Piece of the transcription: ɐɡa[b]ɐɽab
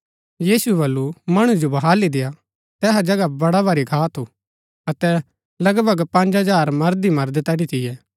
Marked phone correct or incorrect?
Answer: correct